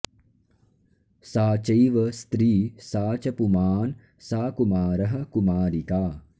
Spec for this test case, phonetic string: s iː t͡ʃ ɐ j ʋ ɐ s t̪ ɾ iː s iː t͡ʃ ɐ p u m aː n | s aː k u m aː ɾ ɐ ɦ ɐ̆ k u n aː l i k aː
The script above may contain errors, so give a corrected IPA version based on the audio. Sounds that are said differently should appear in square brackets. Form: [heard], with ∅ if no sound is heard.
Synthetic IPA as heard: s [aː] t͡ʃ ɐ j ʋ ɐ s t̪ ɾ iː s [aː] t͡ʃ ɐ p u m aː n | s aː k u m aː ɾ ɐ ɦ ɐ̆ k u [m] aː [ɾ] i k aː